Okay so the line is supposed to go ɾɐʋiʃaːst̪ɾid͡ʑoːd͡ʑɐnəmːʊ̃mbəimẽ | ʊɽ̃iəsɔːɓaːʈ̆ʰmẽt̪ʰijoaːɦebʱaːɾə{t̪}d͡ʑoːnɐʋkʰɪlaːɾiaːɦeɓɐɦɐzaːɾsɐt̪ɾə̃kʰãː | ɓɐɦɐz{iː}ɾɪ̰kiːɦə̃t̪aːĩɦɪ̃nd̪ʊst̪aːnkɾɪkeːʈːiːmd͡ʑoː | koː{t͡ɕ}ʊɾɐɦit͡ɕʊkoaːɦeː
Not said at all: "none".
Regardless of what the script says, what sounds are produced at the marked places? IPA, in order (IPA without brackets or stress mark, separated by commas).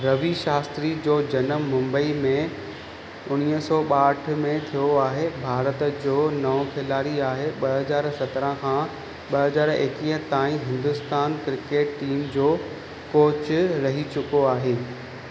t̪, aː, t͡ɕ